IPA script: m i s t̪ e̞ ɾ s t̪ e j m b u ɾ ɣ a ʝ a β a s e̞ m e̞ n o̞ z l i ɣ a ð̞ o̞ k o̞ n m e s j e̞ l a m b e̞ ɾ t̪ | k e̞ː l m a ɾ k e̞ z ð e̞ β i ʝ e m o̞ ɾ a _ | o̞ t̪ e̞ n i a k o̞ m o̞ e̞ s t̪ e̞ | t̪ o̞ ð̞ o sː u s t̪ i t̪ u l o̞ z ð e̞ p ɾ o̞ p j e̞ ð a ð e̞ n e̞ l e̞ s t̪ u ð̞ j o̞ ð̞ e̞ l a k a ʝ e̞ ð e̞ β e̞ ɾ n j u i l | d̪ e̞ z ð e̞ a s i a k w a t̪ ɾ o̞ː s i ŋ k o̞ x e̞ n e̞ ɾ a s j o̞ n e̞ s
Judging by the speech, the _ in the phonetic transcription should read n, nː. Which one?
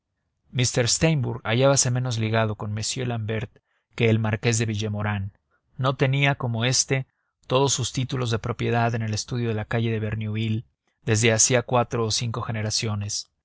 nː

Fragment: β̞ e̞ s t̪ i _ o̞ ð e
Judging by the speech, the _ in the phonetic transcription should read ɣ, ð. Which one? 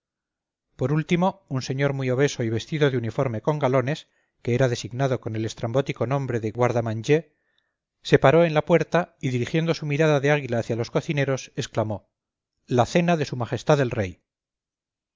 ð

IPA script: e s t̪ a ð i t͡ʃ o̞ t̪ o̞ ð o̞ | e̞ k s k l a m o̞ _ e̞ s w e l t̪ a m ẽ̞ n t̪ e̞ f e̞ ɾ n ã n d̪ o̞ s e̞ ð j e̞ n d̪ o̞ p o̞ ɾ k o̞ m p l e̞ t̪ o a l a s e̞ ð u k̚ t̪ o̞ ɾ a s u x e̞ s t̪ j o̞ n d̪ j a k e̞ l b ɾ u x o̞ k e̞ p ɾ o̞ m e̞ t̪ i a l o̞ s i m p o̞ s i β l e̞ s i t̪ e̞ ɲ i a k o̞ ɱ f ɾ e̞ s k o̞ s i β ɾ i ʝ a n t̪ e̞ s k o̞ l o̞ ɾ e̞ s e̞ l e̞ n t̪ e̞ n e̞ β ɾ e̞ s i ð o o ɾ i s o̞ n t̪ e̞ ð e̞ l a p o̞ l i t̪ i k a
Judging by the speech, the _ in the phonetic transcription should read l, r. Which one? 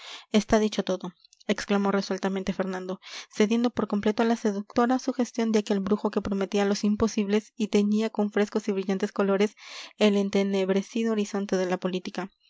r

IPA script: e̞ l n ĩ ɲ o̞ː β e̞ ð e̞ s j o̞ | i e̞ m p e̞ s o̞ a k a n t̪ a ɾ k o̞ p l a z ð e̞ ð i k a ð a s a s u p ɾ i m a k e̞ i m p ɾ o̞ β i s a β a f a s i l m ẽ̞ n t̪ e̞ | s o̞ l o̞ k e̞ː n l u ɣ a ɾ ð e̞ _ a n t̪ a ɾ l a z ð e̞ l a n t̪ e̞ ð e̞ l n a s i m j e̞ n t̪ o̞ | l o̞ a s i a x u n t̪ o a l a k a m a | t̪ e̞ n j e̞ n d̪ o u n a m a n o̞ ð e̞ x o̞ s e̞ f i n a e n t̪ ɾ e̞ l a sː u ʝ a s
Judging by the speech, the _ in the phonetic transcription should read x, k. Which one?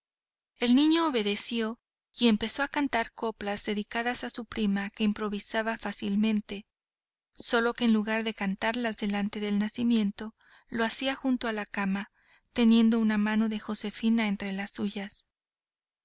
k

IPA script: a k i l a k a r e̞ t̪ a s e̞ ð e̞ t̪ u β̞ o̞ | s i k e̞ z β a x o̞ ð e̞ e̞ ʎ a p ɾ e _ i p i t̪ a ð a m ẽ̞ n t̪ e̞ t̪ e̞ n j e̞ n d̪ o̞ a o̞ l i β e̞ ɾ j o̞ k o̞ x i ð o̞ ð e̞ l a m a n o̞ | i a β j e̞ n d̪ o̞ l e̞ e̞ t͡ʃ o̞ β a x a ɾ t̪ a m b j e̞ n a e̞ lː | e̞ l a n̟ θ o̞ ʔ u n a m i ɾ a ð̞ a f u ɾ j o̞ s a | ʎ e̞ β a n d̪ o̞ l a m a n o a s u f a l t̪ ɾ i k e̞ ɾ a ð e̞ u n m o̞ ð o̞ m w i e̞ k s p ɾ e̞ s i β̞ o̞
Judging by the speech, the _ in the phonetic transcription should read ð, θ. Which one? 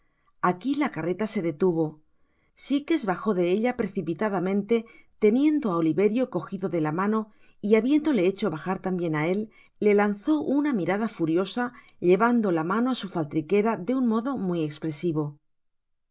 θ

